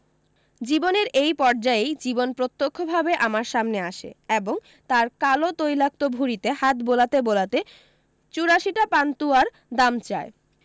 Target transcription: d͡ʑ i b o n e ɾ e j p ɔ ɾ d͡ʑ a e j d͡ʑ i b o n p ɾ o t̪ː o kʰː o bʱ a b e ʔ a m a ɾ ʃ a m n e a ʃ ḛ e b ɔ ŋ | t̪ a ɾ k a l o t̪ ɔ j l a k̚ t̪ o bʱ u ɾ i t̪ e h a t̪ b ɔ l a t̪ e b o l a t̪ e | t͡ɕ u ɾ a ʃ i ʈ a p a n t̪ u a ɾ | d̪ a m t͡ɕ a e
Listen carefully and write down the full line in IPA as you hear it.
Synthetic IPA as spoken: d͡ʑ i b o n e ɾ e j p ɔ ɾ d͡ʑ a e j d͡ʑ i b o n p ɾ o t̪ː o kʰː o bʱ a b e ʔ a m a ɾ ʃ a m n e a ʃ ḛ e b o ŋ | t̪ a ɾ k a l o t̪ o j l a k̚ t̪ o bʱ u ɾ i t̪ e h a t̪ b o l a t̪ e b o l a t̪ e | t͡ɕ u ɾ a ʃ i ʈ a p a n t̪ u a ɾ | d̪ a m t͡ɕ a e